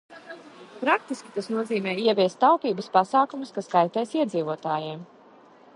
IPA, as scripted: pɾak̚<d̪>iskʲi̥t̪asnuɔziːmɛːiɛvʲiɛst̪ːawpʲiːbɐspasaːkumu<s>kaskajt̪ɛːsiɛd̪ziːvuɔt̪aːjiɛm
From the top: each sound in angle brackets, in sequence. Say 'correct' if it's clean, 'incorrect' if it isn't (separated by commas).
incorrect, correct